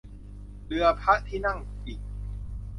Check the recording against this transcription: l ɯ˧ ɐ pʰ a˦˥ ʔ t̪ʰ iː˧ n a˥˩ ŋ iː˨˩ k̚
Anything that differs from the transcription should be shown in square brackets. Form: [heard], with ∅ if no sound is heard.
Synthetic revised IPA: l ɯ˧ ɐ pʰ a˦˥ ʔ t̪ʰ [iː˥˩] n a˥˩ ŋ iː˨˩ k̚